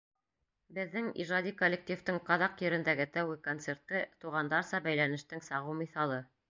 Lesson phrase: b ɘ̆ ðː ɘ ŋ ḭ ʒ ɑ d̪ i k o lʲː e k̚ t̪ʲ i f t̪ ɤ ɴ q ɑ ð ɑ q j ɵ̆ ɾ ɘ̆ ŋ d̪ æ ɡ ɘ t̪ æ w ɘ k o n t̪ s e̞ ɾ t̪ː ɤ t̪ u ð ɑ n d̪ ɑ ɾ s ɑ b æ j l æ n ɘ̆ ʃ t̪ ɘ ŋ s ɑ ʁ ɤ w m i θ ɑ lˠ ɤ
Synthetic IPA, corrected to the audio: b ɘ̆ ðː ɘ ŋ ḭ ʒ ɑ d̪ i k o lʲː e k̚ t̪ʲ i f t̪ ɤ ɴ q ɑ ð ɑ q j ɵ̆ ɾ ɘ̆ n d̪ æ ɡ ɘ t̪ æ w ɘ k o n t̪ s e̞ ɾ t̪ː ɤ t̪ u ʁ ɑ n d̪ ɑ ɾ s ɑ b æ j l æ n ɘ̆ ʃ t̪ ɘ ŋ s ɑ ʁ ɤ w m i θ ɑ lˠ ɤ